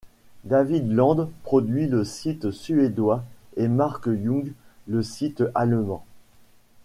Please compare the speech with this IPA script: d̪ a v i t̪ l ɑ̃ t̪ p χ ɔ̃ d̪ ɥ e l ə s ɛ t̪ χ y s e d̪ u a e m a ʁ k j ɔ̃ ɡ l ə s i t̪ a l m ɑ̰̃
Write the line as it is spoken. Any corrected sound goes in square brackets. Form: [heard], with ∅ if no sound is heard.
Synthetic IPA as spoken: d̪ a v i [d̪] l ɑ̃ [d̪] p χ [ɔ] d̪ ɥ [i] l ə s [i] t̪ [s] y [∅] e d̪ [w] a e m a ʁ k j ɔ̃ ɡ l ə s i t̪ a l m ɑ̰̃